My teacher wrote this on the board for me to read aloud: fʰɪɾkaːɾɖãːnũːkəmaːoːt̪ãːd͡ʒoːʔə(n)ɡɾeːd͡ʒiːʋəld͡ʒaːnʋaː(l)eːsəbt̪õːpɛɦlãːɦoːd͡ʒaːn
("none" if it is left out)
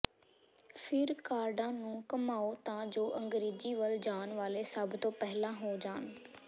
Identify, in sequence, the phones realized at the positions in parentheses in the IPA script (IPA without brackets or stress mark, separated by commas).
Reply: ŋ, l